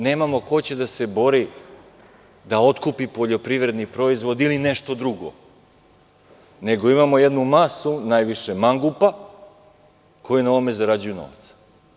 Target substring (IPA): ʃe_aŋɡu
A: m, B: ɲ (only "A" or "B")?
A